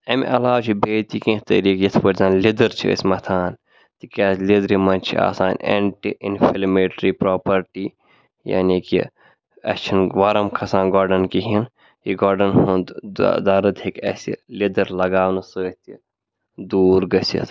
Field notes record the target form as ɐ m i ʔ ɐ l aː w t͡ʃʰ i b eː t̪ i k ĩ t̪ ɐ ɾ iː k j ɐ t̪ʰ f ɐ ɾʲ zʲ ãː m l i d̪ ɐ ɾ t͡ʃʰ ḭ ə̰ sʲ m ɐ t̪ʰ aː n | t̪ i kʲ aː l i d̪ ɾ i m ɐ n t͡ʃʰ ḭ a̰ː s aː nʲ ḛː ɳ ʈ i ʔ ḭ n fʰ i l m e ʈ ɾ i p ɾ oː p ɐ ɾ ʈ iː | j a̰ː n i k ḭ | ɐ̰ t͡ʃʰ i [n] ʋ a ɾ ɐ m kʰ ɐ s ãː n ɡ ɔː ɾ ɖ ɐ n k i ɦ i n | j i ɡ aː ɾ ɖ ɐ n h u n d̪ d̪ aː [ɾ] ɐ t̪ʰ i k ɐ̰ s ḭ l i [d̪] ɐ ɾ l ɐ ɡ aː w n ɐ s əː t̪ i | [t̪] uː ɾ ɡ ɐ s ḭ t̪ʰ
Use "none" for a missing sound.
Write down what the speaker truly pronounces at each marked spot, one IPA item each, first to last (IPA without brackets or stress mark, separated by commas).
n, ɾ, d̪, d̪